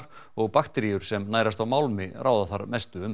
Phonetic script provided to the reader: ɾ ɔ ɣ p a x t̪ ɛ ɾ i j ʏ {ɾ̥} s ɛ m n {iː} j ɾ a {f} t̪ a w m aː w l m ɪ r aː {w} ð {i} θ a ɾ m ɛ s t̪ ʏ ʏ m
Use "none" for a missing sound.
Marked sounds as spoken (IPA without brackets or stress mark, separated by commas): ɾ̥, aː, s, w, a